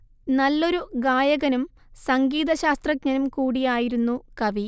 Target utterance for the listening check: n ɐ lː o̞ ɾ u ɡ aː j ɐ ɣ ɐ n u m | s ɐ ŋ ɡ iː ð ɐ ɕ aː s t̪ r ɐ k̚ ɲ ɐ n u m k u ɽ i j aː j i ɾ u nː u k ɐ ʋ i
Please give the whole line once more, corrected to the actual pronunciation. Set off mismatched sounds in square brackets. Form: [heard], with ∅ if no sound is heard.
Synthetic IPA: n ɐ lː o̞ ɾ u ɡ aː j ɐ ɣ ɐ n u m | s ɐ ŋ ɡ iː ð ɐ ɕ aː s t̪ r ɐ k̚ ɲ ɐ n u m k [uː] ɽ i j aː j i ɾ u nː u k ɐ ʋ i